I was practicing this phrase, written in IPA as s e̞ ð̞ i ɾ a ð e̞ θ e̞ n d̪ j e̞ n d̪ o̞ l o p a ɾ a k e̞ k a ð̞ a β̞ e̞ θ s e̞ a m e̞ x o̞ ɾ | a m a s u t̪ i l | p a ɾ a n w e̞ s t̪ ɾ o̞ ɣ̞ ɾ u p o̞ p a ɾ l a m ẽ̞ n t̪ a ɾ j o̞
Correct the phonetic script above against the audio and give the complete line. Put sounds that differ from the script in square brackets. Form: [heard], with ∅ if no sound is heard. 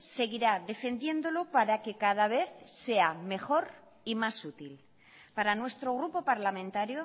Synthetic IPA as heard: s e̞ [ɣ̞] i ɾ a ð e̞ [f] e̞ n d̪ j e̞ n d̪ o̞ l o p a ɾ a k e̞ k a ð̞ a β̞ e̞ θ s e̞ a m e̞ x o̞ ɾ | [i] m a s u t̪ i l | p a ɾ a n w e̞ s t̪ ɾ o̞ ɣ̞ ɾ u p o̞ p a ɾ l a m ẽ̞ n t̪ a ɾ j o̞